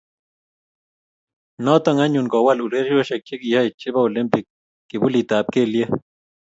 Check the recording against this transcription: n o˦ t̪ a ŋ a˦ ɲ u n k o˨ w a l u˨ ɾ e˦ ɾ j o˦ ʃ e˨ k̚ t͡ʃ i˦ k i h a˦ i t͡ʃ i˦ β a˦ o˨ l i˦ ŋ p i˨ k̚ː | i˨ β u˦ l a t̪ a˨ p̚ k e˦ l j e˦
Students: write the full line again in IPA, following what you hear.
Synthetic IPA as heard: n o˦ t̪ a ŋ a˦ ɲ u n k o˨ w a l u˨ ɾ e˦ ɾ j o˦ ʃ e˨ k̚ t͡ʃ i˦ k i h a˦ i t͡ʃ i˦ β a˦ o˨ l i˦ m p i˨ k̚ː | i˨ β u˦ l i t̪ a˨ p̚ k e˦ l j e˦